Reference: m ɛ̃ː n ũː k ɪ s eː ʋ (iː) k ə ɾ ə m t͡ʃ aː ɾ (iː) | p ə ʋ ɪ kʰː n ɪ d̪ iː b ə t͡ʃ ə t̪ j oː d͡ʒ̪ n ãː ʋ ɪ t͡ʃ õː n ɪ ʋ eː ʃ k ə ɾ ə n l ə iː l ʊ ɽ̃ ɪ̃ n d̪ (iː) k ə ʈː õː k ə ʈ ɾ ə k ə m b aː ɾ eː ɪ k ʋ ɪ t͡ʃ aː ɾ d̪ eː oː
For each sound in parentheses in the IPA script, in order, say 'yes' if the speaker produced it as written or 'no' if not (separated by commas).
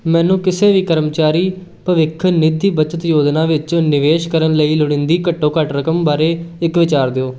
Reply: yes, yes, yes